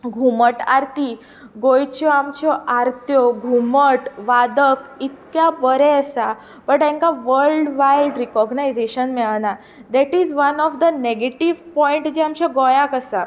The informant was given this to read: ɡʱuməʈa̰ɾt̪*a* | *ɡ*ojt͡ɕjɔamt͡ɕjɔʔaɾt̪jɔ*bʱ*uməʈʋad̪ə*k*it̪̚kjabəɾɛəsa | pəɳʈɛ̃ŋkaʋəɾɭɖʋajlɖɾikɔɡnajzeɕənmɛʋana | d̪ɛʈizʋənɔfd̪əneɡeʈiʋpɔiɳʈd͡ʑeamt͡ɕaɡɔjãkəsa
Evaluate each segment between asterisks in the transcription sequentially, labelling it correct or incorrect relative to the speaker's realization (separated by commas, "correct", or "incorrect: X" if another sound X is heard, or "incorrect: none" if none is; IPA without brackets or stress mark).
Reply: incorrect: i, correct, incorrect: ɡʱ, correct